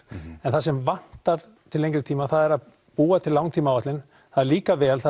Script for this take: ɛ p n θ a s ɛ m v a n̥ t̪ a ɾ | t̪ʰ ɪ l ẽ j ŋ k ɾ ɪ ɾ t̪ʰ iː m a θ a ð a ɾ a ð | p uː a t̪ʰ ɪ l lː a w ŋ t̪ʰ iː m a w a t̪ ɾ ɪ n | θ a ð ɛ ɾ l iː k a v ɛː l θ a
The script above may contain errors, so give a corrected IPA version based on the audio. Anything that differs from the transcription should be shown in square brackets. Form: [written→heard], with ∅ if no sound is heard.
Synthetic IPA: ɛ [p→∅] n θ a s ɛ m v a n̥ t̪ a ɾ | t̪ʰ ɪ l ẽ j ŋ k ɾ ɪ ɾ t̪ʰ iː m a θ a ð [a→ɛ] ɾ a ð | p uː a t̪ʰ ɪ l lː a w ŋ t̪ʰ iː m a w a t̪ [ɾ→l] ɪ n | θ a ð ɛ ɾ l iː k a v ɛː l θ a